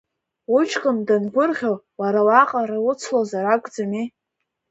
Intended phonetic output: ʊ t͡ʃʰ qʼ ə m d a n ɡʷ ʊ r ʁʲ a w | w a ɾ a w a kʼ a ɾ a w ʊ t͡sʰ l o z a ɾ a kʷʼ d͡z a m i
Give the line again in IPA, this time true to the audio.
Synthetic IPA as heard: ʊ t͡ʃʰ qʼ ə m d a n ɡʷ ʊ r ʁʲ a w | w a ɾ a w a qʼ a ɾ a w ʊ t͡sʰ l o z a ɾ a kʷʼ d͡z a m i